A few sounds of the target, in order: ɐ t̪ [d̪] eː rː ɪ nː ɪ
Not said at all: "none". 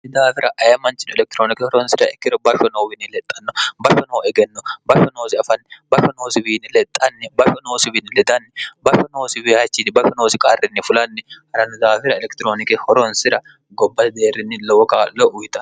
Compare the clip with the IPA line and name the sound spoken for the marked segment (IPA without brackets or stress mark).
d̪